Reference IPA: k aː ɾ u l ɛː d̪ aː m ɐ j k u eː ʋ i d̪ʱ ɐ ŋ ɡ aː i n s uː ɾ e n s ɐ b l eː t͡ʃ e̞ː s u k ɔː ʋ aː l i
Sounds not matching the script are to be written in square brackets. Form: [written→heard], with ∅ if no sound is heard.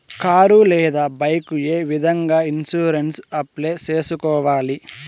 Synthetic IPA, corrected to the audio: k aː ɾ u l ɛː d̪ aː [m→b] ɐ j k u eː ʋ i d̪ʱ ɐ ŋ ɡ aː i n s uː ɾ e n s ɐ [b→p] l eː t͡ʃ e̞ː s u k ɔː ʋ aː l i